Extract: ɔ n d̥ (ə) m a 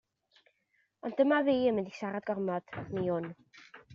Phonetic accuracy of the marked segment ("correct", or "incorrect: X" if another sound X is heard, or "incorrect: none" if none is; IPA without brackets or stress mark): correct